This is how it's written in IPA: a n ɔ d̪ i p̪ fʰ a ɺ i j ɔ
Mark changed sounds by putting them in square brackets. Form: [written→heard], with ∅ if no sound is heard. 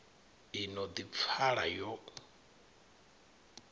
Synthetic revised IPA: [a→i] n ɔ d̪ i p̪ fʰ a ɺ [i→a] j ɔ